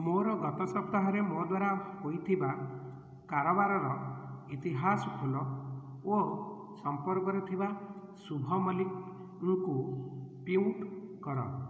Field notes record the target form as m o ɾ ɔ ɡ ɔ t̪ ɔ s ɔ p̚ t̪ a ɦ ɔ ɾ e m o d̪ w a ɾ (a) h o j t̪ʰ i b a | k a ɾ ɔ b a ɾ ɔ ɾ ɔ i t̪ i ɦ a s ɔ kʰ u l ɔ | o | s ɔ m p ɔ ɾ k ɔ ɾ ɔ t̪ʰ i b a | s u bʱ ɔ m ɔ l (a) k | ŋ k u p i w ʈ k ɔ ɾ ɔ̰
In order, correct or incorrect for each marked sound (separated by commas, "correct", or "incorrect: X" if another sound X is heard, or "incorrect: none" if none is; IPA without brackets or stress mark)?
correct, incorrect: i